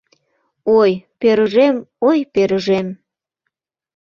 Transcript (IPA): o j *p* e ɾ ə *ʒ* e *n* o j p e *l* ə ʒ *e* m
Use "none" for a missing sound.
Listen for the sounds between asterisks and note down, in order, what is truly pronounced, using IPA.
p, ʒ, m, ɾ, e

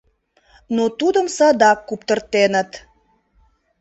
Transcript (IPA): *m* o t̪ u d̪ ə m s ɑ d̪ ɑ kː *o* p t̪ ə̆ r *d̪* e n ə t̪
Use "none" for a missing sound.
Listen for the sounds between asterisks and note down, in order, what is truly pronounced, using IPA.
n, u, t̪

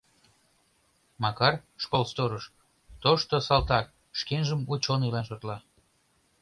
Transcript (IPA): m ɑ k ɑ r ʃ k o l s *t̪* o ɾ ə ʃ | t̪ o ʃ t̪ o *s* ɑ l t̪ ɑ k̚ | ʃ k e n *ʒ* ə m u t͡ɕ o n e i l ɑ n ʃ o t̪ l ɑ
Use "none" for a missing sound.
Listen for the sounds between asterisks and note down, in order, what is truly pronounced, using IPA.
t̪, s, ʒ

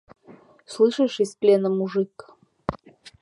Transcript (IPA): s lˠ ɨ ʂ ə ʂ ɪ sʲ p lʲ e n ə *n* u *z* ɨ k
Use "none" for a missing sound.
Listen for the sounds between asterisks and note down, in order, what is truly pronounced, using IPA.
m, ʐ

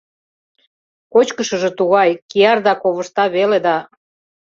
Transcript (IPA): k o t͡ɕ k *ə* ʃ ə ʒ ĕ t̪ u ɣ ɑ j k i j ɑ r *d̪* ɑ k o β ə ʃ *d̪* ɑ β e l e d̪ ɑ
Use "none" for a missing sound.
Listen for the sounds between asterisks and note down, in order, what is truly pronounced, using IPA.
ə, d̪, t̪

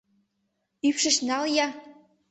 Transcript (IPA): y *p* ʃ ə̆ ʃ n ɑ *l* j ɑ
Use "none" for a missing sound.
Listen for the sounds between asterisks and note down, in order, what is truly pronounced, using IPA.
p, l

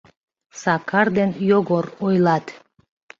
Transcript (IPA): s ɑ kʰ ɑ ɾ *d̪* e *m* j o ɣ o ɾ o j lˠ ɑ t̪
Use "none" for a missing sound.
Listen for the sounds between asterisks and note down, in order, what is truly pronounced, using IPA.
d̪, n

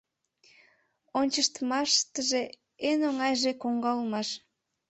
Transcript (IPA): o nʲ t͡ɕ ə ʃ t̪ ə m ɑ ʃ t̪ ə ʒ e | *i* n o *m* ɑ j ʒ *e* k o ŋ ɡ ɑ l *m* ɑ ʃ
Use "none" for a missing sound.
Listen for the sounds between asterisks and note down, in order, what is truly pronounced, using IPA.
e, ŋ, e, m

